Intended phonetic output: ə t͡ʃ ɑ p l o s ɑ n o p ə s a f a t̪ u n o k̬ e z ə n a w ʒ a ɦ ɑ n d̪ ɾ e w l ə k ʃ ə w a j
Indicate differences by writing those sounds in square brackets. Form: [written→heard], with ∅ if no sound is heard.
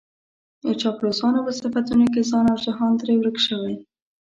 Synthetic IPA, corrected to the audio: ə t͡ʃ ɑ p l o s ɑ n o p ə s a f a t̪ u n o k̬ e z [ə→ɑ] n a w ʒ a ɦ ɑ n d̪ ɾ e w [l→ɾ] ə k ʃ ə w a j